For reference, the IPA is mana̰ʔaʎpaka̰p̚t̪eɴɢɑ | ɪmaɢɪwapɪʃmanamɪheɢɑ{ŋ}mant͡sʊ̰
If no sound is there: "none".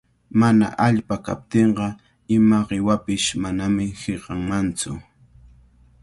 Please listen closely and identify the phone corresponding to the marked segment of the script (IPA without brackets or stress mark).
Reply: ŋ